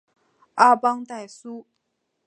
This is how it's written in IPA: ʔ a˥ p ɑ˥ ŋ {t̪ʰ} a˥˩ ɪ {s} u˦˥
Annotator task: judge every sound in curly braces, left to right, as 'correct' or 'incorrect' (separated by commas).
incorrect, correct